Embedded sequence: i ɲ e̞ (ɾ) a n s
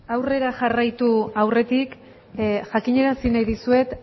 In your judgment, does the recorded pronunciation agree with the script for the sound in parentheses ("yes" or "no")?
yes